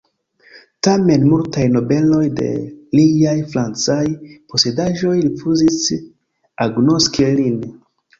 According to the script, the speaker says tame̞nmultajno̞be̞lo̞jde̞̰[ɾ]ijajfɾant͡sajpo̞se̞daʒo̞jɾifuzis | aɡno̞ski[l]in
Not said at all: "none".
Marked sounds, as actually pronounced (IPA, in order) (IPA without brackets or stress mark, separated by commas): l, l